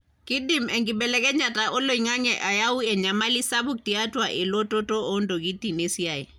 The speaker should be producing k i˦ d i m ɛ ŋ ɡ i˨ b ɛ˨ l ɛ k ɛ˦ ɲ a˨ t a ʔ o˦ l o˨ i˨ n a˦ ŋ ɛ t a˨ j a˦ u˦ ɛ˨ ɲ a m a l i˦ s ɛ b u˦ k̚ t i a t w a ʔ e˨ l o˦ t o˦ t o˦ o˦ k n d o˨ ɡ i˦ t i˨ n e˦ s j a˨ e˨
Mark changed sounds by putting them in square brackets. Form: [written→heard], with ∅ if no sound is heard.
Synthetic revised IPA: k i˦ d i m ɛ ŋ ɡ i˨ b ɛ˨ l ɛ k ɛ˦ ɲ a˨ t a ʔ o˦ l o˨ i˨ [n→ŋ] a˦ ŋ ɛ [t→ʔ] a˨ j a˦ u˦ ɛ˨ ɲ a m a l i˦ s [ɛ→a] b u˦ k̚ t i a t w a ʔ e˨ l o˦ t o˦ t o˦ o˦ [k→∅] n d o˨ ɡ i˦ t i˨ n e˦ s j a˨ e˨

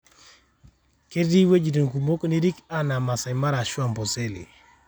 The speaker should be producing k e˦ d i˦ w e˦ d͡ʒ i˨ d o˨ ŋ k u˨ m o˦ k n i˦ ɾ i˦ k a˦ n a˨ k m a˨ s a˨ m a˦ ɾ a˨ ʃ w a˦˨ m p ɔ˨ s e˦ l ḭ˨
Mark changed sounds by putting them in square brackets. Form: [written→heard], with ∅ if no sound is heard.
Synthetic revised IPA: k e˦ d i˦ w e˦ d͡ʒ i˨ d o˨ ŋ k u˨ m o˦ k n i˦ ɾ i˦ k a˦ n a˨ [k→∅] m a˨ s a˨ m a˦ ɾ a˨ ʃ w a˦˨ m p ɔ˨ s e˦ l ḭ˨

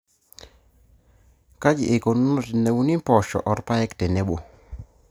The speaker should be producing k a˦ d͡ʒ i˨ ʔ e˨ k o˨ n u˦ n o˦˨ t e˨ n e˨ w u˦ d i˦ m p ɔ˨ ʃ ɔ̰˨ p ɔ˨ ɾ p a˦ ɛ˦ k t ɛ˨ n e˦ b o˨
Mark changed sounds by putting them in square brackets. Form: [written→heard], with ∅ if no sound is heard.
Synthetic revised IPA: k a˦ d͡ʒ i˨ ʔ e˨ k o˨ n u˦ n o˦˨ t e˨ n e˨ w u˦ [d→n] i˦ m p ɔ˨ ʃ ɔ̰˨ [p→ʔ] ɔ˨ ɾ p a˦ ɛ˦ k t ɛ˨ n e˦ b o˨

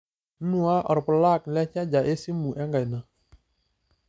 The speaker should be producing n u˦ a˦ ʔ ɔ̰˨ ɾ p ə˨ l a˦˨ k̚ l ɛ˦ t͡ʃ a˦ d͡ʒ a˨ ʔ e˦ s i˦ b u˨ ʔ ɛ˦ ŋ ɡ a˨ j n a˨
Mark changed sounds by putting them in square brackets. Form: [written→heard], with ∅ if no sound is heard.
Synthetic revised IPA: n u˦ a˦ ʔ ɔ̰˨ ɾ p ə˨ l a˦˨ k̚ l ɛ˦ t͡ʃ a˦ d͡ʒ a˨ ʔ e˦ s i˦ [b→m] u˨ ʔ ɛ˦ ŋ ɡ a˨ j n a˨

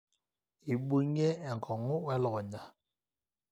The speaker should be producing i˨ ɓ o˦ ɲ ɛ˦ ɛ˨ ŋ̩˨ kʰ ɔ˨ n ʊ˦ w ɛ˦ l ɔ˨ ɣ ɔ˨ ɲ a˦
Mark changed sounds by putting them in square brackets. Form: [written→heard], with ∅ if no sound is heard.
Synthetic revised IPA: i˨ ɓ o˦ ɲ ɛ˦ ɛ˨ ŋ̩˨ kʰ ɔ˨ [n→ŋ] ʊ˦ w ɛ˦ l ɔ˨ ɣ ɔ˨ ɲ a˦

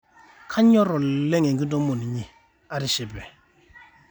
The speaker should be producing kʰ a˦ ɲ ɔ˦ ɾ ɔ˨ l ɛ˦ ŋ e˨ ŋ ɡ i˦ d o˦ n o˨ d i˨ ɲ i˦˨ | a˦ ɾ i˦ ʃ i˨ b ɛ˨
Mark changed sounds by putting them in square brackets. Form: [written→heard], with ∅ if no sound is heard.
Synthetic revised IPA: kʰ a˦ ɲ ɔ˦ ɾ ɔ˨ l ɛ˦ ŋ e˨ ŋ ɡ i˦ d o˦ [n→m] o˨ [d→n] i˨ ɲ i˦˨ | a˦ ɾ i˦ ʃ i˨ b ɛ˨

